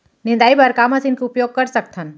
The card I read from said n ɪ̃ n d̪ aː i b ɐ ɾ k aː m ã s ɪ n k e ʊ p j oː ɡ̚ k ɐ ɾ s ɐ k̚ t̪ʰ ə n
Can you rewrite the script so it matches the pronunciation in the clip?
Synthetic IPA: n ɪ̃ n d̪ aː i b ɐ ɾ k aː m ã s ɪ n k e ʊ p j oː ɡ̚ k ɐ ɾ s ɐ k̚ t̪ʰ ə n